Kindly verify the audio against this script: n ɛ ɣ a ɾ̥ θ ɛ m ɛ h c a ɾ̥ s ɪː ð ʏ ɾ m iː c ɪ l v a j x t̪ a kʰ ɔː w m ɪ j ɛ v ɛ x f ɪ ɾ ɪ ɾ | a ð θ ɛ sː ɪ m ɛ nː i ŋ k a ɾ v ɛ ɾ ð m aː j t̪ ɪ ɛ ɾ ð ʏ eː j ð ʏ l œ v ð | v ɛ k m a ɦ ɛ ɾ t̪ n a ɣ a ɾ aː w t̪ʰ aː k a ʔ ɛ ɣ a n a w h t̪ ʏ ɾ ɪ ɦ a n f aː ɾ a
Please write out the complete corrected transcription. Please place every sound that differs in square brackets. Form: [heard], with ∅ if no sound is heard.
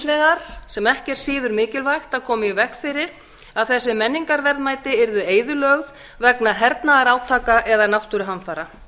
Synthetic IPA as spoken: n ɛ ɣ a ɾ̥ [s] ɛ m ɛ h c [ɛ] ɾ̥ s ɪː ð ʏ ɾ m [ɪː] c ɪ l v a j x t̪ a kʰ ɔː [∅] m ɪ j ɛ v ɛ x f ɪ ɾ ɪ ɾ | a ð θ ɛ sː ɪ m ɛ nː i ŋ k a ɾ v ɛ ɾ ð m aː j t̪ ɪ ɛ ɾ ð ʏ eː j ð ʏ l œ [ɣ] ð | v ɛ k [n] a ɦ ɛ ɾ t̪ n a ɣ a ɾ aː w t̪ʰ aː k a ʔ ɛ [ð] a n a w h t̪ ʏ ɾ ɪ ɦ a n f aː ɾ a

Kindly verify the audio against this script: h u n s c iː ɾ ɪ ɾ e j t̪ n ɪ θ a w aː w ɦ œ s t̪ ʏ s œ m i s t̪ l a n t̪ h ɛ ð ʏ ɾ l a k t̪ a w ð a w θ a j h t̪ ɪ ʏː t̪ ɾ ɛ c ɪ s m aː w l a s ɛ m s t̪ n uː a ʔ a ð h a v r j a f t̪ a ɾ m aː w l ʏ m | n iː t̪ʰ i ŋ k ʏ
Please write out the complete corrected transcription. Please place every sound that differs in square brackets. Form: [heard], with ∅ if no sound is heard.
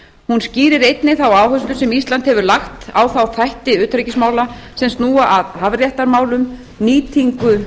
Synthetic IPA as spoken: h u n s c iː ɾ ɪ ɾ e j t̪ n ɪ θ a w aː w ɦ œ s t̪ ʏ s [ɛ] m i s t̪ l a n t̪ h ɛ [v] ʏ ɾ l a [x] t̪ a w [θ] a w θ a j h t̪ ɪ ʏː t̪ ɾ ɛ c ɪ s m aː w l a s ɛ m s t̪ n uː a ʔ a ð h a v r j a [h] t̪ a ɾ m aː w l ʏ m | n iː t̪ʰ i ŋ k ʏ

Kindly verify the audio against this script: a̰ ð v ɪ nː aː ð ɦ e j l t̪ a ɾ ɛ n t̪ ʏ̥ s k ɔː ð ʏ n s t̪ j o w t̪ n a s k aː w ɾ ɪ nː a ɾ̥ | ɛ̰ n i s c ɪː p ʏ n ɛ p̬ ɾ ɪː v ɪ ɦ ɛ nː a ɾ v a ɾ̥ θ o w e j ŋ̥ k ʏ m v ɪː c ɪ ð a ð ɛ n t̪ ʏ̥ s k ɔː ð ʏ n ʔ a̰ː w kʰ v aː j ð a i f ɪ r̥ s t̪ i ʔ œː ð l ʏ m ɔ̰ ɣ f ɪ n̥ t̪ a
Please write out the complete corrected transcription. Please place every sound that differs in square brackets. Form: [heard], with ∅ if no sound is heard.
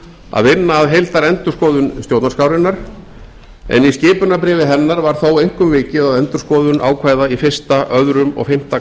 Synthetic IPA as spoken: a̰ ð v ɪ nː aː ð ɦ e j l t̪ a ɾ ɛ n t̪ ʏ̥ s k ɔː ð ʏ n s t̪ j o w t̪ n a s k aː w ɾ ɪ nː a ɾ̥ | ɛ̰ n i s c ɪː p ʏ n [a] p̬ ɾ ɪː v ɪ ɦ ɛ nː a ɾ v a ɾ̥ θ o w e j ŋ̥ k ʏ m v ɪː c ɪ ð a ð ɛ n t̪ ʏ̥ s k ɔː ð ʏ n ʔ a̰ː w kʰ v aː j ð a i f ɪ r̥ s t̪ [a] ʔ [œ] ð [ɾ] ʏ m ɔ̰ ɣ f ɪ [m̥] t̪ a

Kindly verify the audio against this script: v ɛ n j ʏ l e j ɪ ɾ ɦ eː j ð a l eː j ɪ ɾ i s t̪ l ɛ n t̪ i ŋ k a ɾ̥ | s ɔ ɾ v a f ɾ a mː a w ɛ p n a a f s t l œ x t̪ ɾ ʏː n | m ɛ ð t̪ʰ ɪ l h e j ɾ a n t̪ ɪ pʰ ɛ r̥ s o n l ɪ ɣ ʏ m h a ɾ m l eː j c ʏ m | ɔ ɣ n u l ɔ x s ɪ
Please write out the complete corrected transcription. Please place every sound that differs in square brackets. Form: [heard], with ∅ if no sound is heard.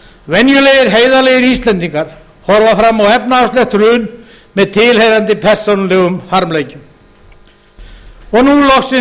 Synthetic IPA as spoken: v ɛ n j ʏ l e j ɪ ɾ ɦ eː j ð a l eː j ɪ ɾ i s t̪ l ɛ n t̪ i ŋ k a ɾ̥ | [h] ɔ ɾ v a f ɾ a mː a w ɛ p n a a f s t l [ɛ] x t̪ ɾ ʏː n | m ɛ ð t̪ʰ ɪ l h e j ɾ a n t̪ ɪ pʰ ɛ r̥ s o n l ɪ ɣ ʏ m h a ɾ m l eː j c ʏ m | ɔ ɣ n u l ɔ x s ɪ

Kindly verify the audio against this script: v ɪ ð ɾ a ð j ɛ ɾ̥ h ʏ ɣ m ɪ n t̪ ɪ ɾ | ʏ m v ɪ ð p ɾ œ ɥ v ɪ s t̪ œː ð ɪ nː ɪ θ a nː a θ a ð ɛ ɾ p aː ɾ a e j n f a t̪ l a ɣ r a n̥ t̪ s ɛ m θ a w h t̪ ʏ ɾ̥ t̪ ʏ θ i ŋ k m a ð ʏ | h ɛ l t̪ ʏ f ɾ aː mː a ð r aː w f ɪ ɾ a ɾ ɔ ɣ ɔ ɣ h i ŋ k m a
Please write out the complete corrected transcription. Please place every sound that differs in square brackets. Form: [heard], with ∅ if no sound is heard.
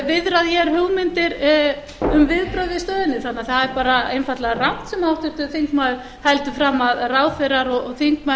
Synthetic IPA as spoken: v ɪ ð ɾ a ð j ɛ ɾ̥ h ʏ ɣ m ɪ n t̪ ɪ ɾ | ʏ m v ɪ ð p ɾ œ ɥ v ɪ s t̪ œː ð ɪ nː ɪ θ a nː a θ a ð ɛ ɾ p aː ɾ a e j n f a t̪ l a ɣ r a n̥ t̪ s ɛ m [h] a w h t̪ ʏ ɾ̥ t̪ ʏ θ i ŋ k m a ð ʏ | h ɛ l t̪ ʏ f ɾ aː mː a ð r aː w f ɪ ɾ a ɾ ɔ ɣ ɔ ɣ [θ] i ŋ k m a

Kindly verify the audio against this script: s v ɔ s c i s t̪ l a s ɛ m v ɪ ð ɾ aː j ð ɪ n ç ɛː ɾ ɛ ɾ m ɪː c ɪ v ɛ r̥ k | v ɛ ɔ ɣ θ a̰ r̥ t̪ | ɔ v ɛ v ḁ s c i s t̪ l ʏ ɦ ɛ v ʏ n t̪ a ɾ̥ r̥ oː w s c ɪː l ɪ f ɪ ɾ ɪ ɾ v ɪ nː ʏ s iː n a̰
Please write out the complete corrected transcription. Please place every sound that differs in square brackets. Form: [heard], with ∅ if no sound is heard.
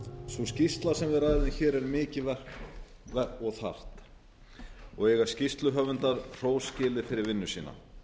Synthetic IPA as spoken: s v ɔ s c i s t̪ l a s ɛ m v ɪ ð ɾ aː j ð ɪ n ç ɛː ɾ ɛ ɾ m ɪː c ɪ v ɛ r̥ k | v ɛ ɔ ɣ θ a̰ r̥ t̪ | ɔ [ɣ] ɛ [ɣ] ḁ s c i s t̪ l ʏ ɦ [œ] v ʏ n t̪ a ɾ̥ r̥ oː w s c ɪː l ɪ f ɪ ɾ ɪ ɾ v ɪ nː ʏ s iː n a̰

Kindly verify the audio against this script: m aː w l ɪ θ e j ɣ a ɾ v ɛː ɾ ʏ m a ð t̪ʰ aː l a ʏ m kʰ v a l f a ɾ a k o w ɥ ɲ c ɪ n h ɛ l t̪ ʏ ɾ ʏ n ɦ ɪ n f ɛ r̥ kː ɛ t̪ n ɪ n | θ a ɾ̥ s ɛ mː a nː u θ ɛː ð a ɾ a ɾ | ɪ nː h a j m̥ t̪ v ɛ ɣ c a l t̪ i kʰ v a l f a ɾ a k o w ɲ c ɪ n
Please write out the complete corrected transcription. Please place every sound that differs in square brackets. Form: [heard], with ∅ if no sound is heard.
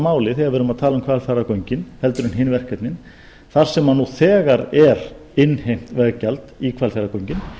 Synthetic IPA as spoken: m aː w l ɪ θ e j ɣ a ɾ v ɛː ɾ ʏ m a ð t̪ʰ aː l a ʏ m kʰ v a l f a ɾ a k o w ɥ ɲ c ɪ n h ɛ l t̪ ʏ ɾ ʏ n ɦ ɪ n [v] ɛ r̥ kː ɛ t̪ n ɪ n | θ a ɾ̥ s ɛ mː a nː u θ ɛː [ɣ] a ɾ [ɛ] ɾ | ɪ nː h [e] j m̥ t̪ v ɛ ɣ c a l t̪ i kʰ v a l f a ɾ a k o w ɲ c ɪ n

